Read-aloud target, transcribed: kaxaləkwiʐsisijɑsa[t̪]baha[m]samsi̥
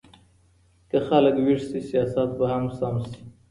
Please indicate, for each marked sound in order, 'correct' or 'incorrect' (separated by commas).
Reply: correct, correct